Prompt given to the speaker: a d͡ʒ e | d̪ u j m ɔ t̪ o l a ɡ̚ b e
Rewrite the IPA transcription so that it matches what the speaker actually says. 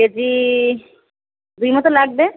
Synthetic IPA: e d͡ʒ i | d̪ u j m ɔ t̪ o l a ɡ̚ b e